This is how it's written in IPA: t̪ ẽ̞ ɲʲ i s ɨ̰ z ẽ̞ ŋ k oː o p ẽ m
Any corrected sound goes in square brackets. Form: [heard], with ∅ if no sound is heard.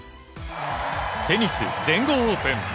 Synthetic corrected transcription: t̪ [e̞] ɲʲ i s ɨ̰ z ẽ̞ ŋ [ɡ] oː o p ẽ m